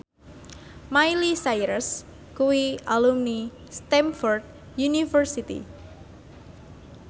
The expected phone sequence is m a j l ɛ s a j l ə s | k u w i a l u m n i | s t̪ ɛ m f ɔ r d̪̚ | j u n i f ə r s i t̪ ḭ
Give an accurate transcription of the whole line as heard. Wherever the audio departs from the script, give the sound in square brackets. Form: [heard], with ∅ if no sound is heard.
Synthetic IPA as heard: m a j l [i] s a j [ɾ] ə s | k u w i a l u m n i | s t̪ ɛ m f ɔ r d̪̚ | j u n i f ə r s i t̪ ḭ

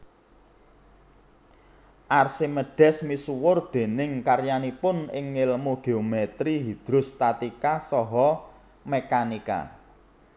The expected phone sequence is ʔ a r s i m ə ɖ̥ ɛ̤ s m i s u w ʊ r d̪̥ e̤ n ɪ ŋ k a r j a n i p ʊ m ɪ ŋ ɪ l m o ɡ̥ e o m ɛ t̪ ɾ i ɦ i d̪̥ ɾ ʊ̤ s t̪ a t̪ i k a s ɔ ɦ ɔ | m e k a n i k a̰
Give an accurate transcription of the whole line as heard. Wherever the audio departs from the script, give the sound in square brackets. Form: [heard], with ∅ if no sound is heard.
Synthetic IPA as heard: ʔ a r s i m ə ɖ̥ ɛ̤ s m i s u w ʊ r d̪̥ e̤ n ɪ ŋ k a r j a n i p ʊ [n] ɪ ŋ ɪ l m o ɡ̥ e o m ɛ t̪ ɾ i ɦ i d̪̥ ɾ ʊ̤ s t̪ a t̪ i k a s ɔ ɦ ɔ | m e k a n i k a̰

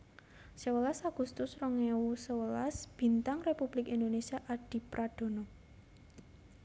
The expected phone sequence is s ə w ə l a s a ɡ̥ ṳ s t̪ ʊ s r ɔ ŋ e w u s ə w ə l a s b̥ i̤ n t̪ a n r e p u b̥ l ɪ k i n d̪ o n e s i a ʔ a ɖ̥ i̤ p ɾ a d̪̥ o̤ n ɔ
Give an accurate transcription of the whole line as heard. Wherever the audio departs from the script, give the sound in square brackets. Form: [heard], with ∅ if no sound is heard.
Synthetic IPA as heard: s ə w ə l a s a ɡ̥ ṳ s t̪ ʊ s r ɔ ŋ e w u s ə w ə l a s b̥ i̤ n t̪ a [ŋ] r e p u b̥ l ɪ k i n d̪ o n e s i a ʔ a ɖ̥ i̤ p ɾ a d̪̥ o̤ n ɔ

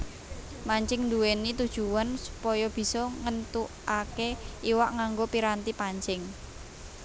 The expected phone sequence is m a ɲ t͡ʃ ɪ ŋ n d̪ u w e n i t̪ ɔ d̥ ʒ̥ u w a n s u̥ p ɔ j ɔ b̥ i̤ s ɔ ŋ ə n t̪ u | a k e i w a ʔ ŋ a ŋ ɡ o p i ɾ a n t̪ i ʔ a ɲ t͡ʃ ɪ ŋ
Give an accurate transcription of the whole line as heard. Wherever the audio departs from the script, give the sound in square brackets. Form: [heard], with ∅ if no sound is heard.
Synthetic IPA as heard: m a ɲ t͡ʃ ɪ ŋ n d̪ u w e n i t̪ [u] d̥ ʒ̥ u w a n s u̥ p ɔ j ɔ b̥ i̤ s ɔ ŋ ə n t̪ u | a k e i w a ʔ ŋ a ŋ ɡ o p i ɾ a n t̪ i [p] a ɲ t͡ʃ ɪ ŋ

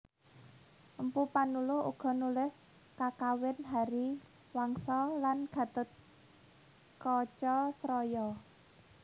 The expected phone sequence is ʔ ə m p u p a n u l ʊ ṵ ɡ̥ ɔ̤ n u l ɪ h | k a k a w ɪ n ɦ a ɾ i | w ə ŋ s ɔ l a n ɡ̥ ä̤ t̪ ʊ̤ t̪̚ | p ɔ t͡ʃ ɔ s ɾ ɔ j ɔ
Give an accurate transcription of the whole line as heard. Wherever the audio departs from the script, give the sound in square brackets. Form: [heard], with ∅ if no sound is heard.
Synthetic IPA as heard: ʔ ə m p u p a n u l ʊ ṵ ɡ̥ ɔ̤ n u l ɪ [s] | k a k a w ɪ n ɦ a ɾ i | w [a] ŋ s ɔ l a n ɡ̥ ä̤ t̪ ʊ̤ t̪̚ | [k] ɔ t͡ʃ ɔ s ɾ ɔ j ɔ

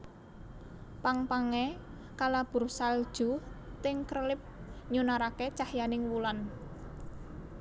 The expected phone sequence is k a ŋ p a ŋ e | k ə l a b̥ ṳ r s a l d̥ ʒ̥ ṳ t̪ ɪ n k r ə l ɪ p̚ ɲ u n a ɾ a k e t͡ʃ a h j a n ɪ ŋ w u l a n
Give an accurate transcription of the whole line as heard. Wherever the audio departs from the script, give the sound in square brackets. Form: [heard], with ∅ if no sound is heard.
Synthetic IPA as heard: [p] a ŋ p a ŋ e | k [a] l a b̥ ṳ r s a l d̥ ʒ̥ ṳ t̪ ɪ [ŋ] k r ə l ɪ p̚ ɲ u n a ɾ a k e t͡ʃ a h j a n ɪ ŋ w u l a n

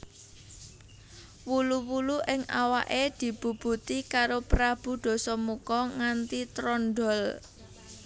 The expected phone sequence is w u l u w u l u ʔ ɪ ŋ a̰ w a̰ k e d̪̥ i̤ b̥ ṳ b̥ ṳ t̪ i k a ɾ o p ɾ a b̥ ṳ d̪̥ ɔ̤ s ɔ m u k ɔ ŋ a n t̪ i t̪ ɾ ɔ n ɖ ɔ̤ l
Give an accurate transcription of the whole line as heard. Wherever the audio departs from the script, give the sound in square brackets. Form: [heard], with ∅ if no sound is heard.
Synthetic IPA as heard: w u l u w u l u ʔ ɪ ŋ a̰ w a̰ [ʔ] e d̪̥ i̤ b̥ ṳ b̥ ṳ t̪ i k a ɾ o p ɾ a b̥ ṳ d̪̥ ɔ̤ s ɔ m u k ɔ ŋ a n t̪ i t̪ ɾ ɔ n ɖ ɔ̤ l

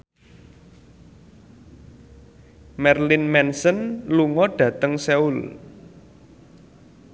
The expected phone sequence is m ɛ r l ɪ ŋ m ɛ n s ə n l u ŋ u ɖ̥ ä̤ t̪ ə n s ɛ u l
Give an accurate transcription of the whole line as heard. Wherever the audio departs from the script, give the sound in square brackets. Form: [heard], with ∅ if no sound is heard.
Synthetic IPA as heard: m ɛ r l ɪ [n] m ɛ n s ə n l u ŋ [ɔ] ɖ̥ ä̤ t̪ ə [ŋ] s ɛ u l

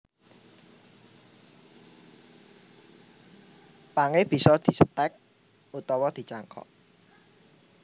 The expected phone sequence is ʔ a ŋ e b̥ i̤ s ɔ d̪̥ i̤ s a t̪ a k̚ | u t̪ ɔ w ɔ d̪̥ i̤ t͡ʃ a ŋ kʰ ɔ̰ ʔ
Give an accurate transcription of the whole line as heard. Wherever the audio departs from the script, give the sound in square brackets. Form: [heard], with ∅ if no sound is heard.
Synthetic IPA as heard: [p] a ŋ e b̥ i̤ s ɔ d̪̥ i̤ s [ə] t̪ [ɛ] k̚ | u t̪ ɔ w ɔ d̪̥ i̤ t͡ʃ a ŋ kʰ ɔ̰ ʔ

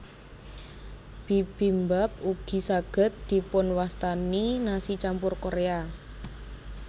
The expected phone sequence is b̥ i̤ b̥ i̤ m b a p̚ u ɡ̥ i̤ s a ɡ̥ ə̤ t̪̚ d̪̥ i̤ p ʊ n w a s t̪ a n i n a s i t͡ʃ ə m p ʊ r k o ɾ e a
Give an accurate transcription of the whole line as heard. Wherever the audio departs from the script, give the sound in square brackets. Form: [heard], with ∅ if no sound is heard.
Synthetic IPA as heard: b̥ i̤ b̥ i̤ m b a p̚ u ɡ̥ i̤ s a ɡ̥ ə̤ t̪̚ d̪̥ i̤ p ʊ n w a s t̪ a n i n a s i t͡ʃ [a] m p ʊ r k o ɾ e a

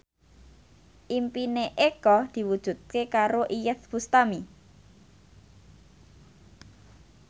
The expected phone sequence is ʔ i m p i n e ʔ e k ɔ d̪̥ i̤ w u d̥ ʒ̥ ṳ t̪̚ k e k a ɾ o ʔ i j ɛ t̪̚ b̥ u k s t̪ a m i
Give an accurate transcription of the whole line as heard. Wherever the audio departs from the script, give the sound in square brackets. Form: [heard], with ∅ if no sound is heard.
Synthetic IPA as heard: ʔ i m p i n e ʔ e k ɔ d̪̥ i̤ w u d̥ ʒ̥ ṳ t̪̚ k e k a ɾ o ʔ i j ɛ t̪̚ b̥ u [∅] s t̪ a m i

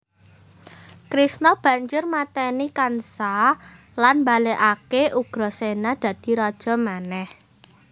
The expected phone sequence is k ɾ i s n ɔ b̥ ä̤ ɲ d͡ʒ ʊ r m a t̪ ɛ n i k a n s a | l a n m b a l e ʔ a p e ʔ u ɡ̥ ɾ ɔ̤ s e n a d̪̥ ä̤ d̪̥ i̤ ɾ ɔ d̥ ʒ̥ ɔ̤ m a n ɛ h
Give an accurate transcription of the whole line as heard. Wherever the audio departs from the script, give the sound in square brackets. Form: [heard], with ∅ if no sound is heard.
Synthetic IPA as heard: k ɾ i s n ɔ b̥ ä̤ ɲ d͡ʒ ʊ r m a t̪ ɛ n i k a n s a | l a n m b a l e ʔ a [k] e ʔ u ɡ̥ ɾ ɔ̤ s e n a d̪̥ ä̤ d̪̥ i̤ ɾ ɔ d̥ ʒ̥ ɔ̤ m a n ɛ h

